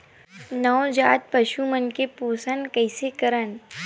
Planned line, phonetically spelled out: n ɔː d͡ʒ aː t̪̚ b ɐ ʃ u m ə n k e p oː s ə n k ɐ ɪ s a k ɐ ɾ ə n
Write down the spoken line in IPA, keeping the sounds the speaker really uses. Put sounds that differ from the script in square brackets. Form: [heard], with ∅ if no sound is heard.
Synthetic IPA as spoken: n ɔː d͡ʒ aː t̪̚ [p] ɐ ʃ u m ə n k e p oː s ə n k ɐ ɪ s [e] k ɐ ɾ ə n